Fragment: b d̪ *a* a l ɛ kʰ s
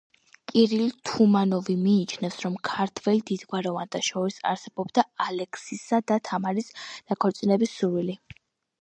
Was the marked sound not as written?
no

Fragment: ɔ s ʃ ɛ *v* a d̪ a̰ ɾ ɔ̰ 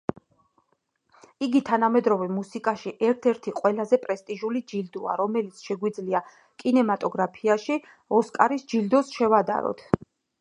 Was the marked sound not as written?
no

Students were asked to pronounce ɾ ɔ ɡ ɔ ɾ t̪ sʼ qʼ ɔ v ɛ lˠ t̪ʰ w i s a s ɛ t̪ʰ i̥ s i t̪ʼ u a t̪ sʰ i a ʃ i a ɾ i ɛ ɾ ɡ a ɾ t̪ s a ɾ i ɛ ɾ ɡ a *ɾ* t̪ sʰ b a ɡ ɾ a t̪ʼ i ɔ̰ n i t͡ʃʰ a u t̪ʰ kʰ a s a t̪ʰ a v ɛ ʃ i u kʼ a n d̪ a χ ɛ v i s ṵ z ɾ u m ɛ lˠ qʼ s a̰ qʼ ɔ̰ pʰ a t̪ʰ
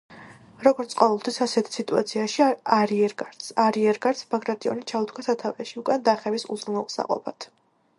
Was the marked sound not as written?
no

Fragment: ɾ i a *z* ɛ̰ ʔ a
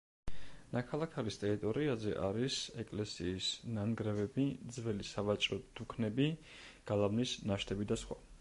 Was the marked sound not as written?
no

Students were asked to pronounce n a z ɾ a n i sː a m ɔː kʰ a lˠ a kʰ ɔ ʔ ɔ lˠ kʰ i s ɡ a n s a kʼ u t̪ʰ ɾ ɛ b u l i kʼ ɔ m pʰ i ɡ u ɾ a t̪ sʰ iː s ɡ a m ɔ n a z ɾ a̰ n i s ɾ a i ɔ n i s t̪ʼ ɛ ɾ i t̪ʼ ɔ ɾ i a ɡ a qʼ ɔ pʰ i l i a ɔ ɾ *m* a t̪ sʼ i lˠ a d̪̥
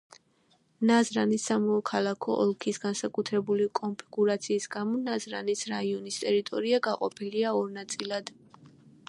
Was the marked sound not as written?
yes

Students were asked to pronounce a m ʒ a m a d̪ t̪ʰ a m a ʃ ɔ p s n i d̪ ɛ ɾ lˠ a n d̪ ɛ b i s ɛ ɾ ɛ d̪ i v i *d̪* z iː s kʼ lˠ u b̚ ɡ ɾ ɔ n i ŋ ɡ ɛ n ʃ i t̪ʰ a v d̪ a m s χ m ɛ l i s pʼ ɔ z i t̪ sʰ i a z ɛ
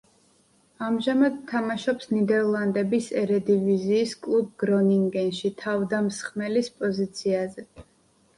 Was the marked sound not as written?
yes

